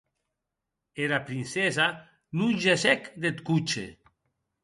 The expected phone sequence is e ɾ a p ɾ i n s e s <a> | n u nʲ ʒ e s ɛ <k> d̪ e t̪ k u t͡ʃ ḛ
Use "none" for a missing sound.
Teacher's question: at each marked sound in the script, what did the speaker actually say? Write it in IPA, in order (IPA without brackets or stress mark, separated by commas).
a, k